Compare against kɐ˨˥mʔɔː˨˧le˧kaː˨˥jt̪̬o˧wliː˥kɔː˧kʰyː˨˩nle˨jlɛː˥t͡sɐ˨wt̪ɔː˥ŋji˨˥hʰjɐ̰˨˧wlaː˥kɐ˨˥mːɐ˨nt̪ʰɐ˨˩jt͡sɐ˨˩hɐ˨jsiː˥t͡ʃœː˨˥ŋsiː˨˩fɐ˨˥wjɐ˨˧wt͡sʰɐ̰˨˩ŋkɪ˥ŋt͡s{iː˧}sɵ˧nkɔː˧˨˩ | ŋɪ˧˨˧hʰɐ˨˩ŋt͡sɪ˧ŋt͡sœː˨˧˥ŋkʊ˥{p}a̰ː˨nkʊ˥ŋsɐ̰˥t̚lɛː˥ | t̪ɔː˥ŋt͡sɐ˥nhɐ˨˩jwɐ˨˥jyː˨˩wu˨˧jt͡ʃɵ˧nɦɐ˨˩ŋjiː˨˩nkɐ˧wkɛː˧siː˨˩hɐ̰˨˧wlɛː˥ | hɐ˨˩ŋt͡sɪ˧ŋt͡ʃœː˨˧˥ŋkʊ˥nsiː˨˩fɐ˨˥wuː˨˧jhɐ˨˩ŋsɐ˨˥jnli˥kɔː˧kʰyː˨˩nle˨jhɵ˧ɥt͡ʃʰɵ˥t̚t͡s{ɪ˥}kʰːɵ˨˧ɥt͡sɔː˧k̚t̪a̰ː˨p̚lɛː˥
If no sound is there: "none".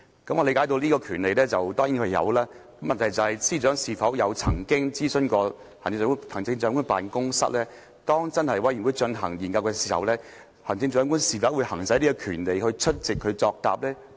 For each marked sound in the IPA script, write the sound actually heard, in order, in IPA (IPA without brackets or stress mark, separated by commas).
iː˥, p, ɪ˨